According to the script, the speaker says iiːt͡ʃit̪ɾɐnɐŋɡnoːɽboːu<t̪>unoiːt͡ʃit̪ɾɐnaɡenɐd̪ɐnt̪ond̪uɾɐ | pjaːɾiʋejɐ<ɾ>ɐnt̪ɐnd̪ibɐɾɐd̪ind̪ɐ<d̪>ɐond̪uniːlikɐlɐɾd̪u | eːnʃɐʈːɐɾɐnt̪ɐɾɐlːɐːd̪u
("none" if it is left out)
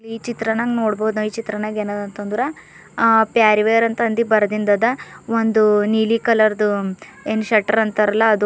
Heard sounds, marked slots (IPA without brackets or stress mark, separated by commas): d̪, ɾ, d̪